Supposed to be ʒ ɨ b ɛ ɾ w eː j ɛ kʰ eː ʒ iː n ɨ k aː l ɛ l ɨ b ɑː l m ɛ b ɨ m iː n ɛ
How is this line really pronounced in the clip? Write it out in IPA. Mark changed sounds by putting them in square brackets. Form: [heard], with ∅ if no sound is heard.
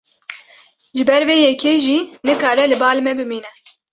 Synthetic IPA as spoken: ʒ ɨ b ɛ ɾ [v] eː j ɛ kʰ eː ʒ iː n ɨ k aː [ɾ] ɛ l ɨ b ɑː l m ɛ b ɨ m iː n ɛ